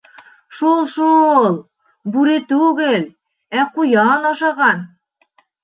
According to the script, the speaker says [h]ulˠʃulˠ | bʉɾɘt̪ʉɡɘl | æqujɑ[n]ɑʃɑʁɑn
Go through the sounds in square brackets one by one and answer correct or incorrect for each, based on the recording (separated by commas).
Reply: incorrect, correct